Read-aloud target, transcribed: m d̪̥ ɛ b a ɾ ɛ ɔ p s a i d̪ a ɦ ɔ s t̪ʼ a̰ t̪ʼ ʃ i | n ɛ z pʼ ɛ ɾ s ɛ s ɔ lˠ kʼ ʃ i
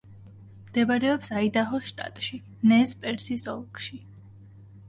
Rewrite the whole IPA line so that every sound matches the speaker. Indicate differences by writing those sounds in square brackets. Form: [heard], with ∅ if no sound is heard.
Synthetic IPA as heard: m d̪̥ ɛ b a ɾ ɛ ɔ p s a i d̪ a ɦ ɔ [ʃ] t̪ʼ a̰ t̪ʼ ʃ i | n ɛ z pʼ ɛ ɾ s [i] s ɔ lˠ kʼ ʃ i